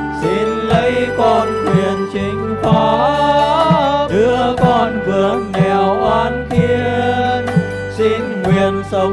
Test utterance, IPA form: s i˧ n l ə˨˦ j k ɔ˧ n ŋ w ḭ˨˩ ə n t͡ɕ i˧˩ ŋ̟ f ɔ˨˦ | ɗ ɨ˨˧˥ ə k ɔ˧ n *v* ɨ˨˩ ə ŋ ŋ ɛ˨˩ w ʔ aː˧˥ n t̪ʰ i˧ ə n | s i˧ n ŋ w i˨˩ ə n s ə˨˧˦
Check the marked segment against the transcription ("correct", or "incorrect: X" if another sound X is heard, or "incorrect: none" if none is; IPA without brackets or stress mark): correct